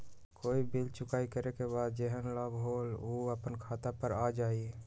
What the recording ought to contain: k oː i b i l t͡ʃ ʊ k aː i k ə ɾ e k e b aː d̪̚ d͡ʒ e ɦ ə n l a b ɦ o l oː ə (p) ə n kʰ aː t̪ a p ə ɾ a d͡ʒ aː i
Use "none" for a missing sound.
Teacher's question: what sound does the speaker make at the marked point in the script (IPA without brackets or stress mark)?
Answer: p